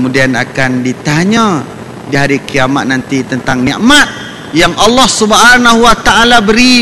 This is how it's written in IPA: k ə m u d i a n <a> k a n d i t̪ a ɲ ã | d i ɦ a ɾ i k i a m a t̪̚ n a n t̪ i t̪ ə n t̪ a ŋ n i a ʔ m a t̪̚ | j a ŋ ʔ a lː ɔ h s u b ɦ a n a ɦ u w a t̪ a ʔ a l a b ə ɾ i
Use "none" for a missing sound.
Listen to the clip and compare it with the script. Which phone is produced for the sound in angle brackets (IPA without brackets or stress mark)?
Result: a